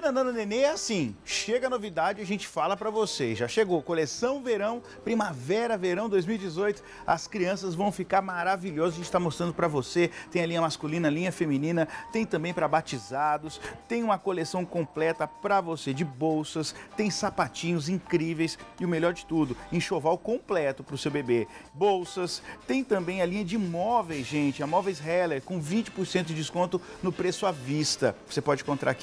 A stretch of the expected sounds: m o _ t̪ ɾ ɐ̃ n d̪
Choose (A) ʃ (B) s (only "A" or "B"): B